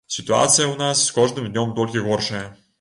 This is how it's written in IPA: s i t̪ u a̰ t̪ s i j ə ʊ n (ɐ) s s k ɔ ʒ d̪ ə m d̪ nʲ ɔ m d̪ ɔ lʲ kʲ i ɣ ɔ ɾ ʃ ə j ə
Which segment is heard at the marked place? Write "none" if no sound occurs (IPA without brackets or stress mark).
a